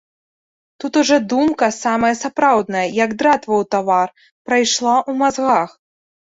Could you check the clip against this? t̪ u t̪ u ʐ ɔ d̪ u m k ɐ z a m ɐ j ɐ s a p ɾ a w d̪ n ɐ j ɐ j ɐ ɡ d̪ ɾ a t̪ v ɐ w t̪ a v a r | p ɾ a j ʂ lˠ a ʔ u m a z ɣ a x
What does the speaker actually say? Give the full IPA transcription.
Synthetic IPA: t̪ u t̪ u ʐ ɔ d̪ u m k ɐ s a m ɐ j ɐ s a p ɾ a w d̪ n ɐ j ɐ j ɐ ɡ d̪ ɾ a t̪ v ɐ w t̪ a v a r | p ɾ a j ʂ lˠ a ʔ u m a z ɣ a x